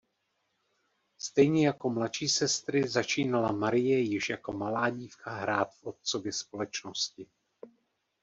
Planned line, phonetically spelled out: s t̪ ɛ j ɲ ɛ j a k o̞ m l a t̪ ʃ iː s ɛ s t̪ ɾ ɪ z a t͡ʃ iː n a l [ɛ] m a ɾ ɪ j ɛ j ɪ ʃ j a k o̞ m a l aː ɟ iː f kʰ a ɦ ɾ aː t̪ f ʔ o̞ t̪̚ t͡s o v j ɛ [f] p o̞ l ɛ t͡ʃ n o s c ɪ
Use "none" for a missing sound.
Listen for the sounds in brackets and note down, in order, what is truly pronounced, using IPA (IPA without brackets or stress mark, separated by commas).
a, s